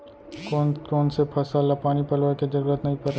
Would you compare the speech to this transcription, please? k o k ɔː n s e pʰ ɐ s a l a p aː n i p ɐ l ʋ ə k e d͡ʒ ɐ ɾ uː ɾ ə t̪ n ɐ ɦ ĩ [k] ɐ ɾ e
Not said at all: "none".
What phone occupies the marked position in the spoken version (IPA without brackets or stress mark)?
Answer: p